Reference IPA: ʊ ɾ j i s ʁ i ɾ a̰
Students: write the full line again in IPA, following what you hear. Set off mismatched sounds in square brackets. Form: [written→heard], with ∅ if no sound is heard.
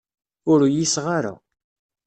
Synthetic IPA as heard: ʊ ɾ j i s ʁ [i→a] ɾ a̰